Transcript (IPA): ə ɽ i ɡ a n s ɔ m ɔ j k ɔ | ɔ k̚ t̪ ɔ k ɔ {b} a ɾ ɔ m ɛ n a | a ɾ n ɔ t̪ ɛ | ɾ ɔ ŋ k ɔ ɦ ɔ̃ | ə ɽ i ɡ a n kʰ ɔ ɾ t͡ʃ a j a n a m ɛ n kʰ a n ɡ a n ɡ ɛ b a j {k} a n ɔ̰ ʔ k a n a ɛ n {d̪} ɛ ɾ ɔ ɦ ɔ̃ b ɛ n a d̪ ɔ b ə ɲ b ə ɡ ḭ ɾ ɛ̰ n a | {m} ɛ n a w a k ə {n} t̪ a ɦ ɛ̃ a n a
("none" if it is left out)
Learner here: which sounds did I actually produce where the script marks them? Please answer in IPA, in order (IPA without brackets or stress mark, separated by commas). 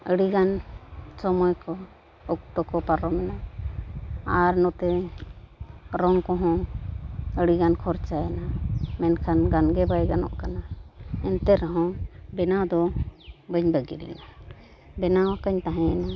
p, ɡ, t̪, b, ɲ